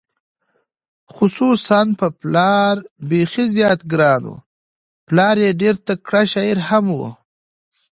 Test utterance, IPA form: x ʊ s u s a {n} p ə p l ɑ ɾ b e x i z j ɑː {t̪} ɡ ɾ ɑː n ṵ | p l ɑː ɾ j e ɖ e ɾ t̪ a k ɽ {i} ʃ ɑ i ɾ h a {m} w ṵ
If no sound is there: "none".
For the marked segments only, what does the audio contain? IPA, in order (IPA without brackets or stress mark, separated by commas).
n, t̪, a, m